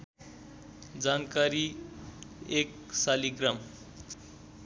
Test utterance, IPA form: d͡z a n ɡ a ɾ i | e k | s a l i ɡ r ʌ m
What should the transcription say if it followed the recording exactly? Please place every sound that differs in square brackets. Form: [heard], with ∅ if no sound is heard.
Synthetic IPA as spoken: d͡z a n [k] a ɾ i | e k | s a l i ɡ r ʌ m

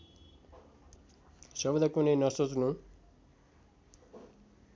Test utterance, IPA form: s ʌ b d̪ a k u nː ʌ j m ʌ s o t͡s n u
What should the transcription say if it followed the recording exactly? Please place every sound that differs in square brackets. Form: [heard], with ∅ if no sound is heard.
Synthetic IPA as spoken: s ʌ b d̪ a k u [n] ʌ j [n] ʌ s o t͡s n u

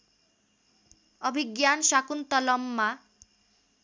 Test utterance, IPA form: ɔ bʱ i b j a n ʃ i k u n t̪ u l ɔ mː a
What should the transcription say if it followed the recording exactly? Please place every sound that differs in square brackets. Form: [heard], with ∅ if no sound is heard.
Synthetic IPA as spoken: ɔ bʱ i [ɡ] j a n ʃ [a] k u n t̪ [ɔ] l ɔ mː a

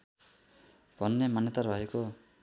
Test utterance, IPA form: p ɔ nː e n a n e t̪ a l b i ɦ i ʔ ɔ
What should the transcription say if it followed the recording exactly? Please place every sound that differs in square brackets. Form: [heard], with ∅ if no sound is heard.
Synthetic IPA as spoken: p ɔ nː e [m] a n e t̪ a [ɾ] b [a] ɦ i [k] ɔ

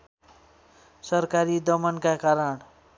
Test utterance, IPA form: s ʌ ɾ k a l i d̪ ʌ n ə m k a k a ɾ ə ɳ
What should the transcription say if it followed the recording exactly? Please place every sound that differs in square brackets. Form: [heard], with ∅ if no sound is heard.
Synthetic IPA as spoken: s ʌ ɾ k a [ɾ] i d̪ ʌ [m] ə [n] k a k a ɾ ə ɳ

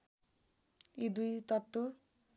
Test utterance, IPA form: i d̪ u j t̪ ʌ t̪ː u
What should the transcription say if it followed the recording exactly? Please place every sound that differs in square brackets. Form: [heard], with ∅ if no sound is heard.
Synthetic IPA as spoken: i d̪ u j t̪ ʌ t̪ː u

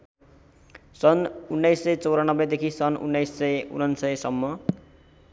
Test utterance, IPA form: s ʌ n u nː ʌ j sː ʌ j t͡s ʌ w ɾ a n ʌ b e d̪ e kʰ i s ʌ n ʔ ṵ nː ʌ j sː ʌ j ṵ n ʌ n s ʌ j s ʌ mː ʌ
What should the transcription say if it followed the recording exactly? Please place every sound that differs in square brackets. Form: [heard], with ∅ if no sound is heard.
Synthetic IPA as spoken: s ʌ n u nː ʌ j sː ʌ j t͡s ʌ w ɾ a n ʌ b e d̪ e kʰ i s ʌ n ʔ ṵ nː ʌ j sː ʌ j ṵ n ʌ n s ʌ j s ʌ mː ʌ

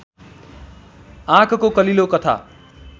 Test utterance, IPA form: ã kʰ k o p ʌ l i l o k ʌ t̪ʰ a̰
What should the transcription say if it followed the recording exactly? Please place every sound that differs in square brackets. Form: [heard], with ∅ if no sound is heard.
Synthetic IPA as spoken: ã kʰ k o [k] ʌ l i l o k ʌ t̪ʰ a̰

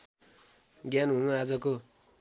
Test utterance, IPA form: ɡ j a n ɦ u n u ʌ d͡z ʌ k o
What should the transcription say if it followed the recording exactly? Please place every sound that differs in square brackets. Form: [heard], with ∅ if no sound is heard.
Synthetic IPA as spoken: ɡ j a n ɦ u n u [a] d͡z ʌ k o

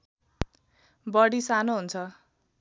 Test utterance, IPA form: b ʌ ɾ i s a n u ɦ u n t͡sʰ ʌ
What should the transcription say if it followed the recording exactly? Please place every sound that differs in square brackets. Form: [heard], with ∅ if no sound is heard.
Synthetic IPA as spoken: b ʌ [ɽ] i s a n [o] ɦ u n t͡sʰ ʌ

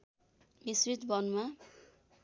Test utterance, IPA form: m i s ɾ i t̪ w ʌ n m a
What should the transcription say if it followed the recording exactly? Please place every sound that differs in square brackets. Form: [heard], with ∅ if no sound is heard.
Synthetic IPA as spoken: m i s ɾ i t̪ [b] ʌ n m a

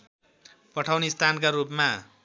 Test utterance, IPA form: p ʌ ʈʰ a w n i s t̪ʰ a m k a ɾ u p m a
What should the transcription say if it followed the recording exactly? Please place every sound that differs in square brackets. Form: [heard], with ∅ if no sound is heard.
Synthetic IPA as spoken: p ʌ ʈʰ a w n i s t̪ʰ a [n] k a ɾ u p m a

